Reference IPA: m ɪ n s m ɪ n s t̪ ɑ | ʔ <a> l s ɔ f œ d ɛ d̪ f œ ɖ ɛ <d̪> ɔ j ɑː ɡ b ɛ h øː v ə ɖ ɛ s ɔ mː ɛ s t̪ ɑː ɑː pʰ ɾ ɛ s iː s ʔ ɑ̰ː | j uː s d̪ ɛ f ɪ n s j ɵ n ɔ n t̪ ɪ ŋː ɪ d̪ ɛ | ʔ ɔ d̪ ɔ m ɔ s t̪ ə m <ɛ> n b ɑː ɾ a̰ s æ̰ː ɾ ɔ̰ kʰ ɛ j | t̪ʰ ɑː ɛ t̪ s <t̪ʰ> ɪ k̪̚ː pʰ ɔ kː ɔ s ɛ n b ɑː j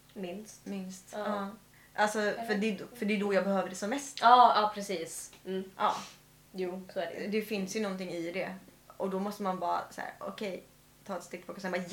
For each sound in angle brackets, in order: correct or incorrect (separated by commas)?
correct, correct, incorrect, incorrect